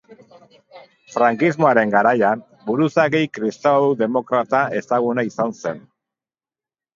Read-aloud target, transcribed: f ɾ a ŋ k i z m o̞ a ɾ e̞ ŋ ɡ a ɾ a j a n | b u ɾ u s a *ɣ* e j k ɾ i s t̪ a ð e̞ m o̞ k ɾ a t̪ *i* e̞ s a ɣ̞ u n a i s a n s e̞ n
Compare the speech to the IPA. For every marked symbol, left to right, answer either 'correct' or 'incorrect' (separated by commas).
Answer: correct, incorrect